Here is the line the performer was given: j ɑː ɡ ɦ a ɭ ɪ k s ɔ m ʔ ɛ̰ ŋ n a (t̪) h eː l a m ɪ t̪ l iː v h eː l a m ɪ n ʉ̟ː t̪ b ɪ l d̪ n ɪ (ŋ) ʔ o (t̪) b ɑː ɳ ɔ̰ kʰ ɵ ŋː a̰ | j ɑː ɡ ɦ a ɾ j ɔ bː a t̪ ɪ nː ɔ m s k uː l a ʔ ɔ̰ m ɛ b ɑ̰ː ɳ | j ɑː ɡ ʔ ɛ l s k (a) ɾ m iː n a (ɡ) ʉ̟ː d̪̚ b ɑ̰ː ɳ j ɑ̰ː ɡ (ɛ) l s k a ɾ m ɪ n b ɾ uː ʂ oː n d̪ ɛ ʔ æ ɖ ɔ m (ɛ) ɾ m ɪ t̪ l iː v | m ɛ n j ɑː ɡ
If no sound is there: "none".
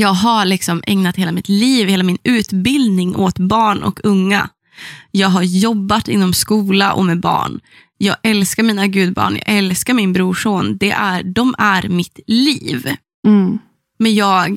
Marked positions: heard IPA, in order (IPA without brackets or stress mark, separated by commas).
t̪, ŋ, t̪, a, ɡ, ɛ, æ